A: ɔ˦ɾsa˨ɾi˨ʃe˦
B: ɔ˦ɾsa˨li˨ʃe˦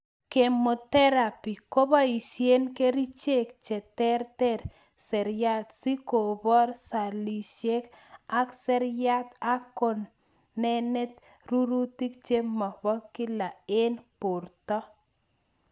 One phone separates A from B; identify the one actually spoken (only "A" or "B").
B